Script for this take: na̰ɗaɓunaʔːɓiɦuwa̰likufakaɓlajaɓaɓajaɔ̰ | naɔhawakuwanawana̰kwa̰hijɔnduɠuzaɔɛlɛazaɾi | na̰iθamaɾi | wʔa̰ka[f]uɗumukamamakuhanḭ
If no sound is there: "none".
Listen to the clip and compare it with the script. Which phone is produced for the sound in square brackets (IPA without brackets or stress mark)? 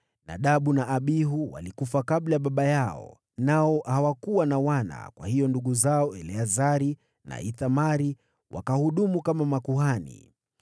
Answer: h